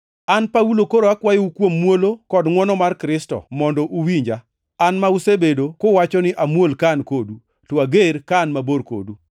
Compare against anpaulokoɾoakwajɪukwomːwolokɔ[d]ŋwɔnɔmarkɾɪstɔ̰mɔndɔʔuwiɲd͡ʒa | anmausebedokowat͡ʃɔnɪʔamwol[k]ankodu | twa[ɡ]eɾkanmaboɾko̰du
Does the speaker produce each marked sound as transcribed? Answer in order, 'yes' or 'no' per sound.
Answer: yes, yes, yes

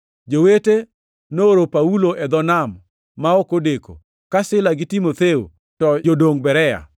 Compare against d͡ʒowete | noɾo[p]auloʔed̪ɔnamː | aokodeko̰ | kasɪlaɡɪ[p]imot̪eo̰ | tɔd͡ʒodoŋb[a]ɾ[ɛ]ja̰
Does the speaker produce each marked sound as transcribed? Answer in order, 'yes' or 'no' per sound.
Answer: yes, no, no, yes

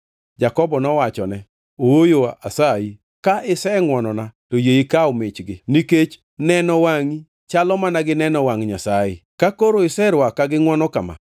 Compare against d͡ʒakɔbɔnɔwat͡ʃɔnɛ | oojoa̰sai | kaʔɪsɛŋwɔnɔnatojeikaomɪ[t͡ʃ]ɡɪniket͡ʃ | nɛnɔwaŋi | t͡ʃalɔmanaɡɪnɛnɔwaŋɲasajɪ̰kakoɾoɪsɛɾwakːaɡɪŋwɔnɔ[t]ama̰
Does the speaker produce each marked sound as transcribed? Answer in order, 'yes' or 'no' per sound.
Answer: yes, no

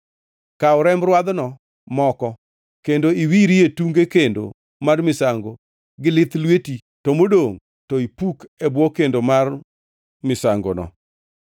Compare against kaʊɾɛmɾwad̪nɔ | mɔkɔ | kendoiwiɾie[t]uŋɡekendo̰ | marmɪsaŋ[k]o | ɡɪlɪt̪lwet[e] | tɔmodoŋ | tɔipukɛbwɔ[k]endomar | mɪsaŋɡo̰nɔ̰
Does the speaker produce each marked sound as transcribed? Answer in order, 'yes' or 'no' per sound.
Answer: yes, no, no, yes

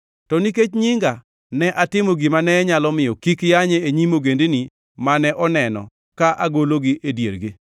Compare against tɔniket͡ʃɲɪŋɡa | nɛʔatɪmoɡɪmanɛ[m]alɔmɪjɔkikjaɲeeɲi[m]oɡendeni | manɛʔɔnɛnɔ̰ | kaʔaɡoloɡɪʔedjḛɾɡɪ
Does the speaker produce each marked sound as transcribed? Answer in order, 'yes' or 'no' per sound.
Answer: no, yes

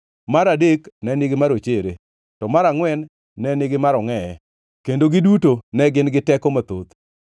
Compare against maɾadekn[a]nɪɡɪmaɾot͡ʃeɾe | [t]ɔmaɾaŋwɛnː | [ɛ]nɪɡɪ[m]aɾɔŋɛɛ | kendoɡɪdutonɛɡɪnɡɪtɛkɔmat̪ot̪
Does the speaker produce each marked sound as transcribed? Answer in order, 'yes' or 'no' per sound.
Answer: no, yes, yes, yes

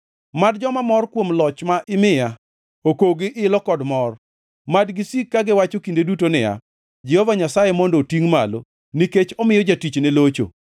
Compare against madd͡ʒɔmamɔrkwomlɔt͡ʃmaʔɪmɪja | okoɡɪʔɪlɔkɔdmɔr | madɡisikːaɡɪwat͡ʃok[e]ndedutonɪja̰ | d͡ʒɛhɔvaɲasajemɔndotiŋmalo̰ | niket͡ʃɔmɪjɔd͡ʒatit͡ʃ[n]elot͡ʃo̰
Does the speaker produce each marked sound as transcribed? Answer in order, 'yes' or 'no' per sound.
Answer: no, yes

